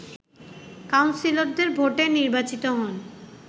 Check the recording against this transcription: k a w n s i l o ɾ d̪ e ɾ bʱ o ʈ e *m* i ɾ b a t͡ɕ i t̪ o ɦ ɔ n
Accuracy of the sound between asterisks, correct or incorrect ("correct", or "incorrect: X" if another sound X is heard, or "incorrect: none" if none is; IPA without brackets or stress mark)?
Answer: incorrect: n